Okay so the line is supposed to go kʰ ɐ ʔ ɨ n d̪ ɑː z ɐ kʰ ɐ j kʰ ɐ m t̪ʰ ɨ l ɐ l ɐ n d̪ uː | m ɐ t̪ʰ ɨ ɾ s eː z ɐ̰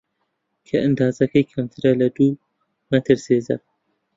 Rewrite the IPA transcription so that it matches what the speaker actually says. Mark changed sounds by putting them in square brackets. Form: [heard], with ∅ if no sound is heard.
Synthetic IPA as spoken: kʰ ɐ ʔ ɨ n d̪ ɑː z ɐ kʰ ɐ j kʰ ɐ m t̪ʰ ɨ [ɾ] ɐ l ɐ [∅] d̪ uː | m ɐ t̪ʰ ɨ ɾ s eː z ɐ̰